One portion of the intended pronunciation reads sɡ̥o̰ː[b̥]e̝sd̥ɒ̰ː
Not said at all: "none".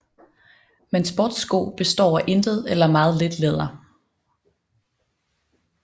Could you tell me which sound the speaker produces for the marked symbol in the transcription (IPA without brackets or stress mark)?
b̥